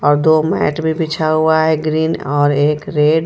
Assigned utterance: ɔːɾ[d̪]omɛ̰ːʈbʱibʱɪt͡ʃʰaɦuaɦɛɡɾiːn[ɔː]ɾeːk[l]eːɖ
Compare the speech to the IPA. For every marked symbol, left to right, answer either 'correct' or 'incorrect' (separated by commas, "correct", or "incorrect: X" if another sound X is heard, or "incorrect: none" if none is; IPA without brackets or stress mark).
correct, correct, incorrect: ɾ